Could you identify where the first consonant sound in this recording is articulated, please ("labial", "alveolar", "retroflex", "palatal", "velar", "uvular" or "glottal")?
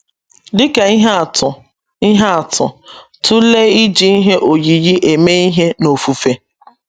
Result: alveolar